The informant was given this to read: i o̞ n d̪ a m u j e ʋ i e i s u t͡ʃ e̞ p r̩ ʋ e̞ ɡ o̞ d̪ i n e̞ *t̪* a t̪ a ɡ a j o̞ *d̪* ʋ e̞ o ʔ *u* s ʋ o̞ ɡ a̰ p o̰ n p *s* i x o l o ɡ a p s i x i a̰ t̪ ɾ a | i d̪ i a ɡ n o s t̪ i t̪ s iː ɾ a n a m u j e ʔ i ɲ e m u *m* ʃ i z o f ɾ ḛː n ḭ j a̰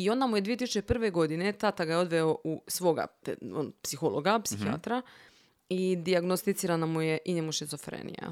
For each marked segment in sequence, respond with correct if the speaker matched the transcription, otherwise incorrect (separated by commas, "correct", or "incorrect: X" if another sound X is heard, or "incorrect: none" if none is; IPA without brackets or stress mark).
correct, correct, correct, correct, incorrect: none